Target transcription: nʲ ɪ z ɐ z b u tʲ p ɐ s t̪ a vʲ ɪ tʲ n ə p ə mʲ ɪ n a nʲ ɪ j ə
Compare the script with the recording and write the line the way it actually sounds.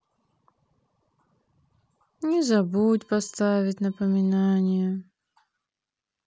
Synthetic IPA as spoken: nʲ ɪ z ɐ b u tʲ p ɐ s t̪ a vʲ ɪ tʲ n ə p ə mʲ ɪ n a nʲ ɪ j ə